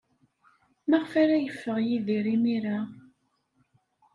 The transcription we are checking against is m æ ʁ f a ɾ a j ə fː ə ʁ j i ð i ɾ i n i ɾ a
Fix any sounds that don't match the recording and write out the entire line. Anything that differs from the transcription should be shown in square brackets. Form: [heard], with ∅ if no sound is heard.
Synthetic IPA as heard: m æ ʁ f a ɾ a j ə fː ə ʁ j i ð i ɾ i [m] i ɾ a